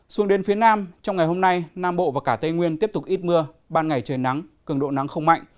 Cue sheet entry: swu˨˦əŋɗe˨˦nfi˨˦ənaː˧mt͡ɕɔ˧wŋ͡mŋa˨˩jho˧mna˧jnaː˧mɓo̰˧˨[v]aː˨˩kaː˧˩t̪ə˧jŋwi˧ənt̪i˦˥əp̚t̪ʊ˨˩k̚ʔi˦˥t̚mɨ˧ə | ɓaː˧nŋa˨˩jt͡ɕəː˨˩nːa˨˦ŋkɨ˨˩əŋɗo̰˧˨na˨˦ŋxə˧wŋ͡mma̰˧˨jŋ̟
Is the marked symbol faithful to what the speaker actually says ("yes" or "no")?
yes